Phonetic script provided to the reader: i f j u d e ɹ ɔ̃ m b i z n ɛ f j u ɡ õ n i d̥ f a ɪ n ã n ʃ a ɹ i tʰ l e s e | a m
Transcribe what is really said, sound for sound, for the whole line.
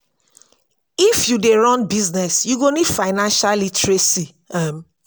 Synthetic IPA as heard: i f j u d e ɹ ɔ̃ n b i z n ɛ s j u ɡ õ n i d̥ f a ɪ n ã n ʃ a l i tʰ ɹ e s i | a m